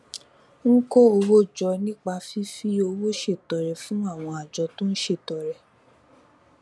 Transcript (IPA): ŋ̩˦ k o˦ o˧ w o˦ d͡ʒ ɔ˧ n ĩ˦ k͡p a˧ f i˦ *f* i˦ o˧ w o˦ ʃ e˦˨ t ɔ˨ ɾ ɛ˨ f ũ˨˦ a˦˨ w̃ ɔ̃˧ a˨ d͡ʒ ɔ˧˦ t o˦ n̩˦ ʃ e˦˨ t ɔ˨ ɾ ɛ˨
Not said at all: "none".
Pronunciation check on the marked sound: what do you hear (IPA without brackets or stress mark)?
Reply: f